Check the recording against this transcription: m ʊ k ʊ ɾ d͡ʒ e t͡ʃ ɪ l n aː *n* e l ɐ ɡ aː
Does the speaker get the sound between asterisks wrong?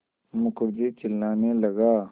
no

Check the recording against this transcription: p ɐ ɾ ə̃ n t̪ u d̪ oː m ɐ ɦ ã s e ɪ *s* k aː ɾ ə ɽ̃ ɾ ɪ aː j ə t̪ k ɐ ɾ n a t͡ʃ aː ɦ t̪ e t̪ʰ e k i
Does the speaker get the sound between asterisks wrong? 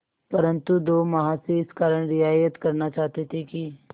no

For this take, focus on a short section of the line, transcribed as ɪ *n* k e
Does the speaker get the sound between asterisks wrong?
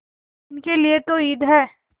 no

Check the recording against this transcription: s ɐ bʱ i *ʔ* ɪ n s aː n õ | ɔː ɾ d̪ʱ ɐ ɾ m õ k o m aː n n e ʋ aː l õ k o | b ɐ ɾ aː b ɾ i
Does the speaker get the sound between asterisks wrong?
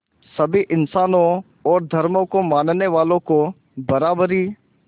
no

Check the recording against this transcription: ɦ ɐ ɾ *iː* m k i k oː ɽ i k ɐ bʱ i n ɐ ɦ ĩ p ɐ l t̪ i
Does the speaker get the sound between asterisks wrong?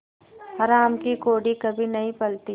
yes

